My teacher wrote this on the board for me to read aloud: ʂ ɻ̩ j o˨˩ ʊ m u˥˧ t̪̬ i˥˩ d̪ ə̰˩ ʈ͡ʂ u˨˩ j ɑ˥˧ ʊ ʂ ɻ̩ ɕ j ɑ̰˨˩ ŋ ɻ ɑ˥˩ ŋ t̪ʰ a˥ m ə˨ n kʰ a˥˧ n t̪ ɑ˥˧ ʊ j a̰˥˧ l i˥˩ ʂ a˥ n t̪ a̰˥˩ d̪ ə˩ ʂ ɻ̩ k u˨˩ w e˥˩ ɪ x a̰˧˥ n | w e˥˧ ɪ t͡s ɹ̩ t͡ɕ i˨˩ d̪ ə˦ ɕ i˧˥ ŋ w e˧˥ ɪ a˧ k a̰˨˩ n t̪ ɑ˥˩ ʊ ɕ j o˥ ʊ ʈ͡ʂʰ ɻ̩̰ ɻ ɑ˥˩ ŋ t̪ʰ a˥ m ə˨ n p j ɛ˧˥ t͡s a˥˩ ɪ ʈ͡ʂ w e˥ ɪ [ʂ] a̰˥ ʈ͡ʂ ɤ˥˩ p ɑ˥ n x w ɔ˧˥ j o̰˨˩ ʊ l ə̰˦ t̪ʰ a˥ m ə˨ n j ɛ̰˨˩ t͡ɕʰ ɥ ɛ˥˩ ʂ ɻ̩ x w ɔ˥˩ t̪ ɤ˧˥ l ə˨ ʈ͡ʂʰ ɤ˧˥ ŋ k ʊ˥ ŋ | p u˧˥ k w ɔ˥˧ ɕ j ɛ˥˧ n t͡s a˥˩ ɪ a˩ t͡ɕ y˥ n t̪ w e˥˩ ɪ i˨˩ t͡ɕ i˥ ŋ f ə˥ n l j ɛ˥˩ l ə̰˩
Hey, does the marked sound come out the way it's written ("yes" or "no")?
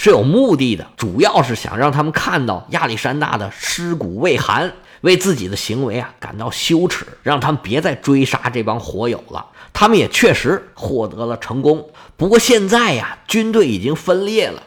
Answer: yes